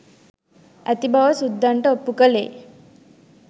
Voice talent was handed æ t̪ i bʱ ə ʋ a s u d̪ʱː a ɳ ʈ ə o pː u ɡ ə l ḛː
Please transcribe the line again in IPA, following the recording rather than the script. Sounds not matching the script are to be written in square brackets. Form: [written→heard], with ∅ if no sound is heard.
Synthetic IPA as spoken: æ t̪ i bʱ [ə→a] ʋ [a→ə] s u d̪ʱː a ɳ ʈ ə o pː u [ɡ→k] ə l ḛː

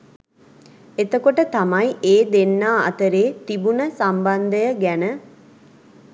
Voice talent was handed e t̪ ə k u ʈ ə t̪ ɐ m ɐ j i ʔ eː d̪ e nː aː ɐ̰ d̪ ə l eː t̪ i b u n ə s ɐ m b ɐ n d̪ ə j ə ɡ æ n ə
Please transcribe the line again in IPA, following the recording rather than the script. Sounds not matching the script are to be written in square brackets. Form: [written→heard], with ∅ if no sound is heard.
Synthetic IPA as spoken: e t̪ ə k [u→o] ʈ ə t̪ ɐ m ɐ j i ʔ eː d̪ e nː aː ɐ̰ [d̪→t̪] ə [l→ɾ] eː t̪ i b u n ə s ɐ m b ɐ n d̪ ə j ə ɡ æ n ə

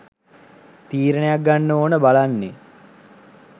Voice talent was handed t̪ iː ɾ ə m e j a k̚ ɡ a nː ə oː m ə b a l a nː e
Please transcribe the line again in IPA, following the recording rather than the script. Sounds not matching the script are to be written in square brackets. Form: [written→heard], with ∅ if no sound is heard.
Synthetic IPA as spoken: t̪ iː ɾ ə [m→n] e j a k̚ ɡ a nː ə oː [m→n] ə b a l a nː e

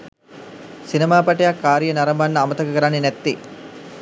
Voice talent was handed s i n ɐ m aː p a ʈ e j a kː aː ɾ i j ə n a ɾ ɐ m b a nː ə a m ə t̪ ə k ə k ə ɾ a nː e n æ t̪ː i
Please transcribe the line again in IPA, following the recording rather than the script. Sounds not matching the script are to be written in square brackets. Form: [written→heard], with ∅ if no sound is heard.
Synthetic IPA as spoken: s i n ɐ m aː p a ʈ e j a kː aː ɾ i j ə n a ɾ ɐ m b a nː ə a m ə t̪ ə k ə k ə ɾ a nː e n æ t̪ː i

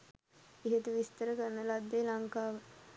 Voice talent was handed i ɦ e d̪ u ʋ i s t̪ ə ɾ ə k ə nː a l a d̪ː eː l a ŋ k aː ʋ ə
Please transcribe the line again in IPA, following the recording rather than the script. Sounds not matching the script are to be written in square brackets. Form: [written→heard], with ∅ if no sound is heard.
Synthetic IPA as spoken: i ɦ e [d̪→t̪] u ʋ i s t̪ ə ɾ ə k ə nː [a→ə] l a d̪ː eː l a ŋ k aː ʋ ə

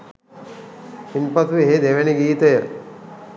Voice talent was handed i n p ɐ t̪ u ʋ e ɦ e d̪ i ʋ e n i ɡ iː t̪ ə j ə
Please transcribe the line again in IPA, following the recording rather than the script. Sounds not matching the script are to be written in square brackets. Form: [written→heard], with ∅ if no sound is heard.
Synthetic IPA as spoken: i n p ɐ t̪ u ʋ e ɦ e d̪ [i→e] ʋ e n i ɡ iː t̪ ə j ə

